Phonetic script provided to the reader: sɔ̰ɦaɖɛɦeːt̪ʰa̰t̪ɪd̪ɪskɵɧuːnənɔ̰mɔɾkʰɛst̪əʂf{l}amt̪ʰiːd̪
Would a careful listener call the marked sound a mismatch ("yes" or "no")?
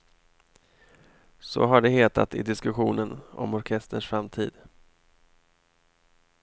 yes